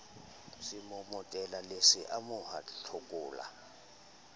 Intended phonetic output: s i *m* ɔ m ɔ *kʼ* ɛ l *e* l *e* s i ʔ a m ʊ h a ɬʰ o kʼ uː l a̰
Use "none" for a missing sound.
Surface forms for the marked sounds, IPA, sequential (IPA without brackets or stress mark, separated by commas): m, tʼ, a, e